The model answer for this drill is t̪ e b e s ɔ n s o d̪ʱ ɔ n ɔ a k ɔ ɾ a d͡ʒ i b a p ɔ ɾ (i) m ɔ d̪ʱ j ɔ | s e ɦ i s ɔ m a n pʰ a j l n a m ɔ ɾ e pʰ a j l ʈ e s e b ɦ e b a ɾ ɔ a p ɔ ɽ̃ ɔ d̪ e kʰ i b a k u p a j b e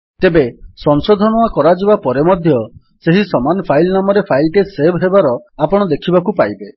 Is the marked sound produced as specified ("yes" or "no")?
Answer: no